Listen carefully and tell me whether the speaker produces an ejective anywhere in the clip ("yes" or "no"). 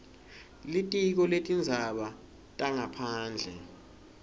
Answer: yes